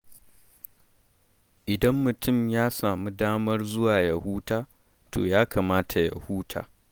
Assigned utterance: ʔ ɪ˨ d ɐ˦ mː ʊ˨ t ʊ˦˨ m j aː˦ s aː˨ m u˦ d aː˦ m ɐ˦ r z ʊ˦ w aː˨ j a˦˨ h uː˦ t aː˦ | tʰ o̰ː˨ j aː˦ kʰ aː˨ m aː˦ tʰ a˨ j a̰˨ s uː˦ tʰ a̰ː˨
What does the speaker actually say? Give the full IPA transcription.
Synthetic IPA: ʔ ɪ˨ d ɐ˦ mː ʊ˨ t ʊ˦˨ m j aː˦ s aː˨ m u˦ d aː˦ m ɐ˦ r z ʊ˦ w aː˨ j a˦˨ h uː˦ t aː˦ | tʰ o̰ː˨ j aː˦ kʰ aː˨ m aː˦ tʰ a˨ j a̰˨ h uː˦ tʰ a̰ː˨